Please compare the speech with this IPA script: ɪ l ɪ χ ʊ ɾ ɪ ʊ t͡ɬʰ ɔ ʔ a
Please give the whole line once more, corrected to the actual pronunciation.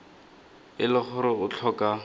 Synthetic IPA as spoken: ɪ l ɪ χ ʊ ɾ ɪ ʊ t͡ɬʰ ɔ k a